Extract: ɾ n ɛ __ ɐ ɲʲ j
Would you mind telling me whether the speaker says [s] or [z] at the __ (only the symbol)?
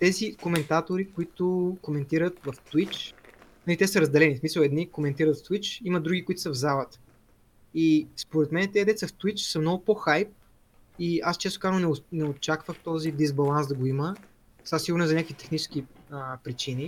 z